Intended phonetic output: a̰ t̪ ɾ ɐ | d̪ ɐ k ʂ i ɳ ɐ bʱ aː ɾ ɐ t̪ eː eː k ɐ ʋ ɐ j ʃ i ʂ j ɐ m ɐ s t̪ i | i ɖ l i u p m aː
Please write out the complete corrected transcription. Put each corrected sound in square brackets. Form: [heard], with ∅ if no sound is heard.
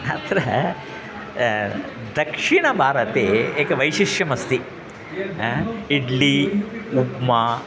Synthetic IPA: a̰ t̪ ɾ ɐ | d̪ ɐ k ʂ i ɳ ɐ bʱ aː ɾ ɐ t̪ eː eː k ɐ ʋ ɐ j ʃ i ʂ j ɐ m ɐ s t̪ i | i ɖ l i u p m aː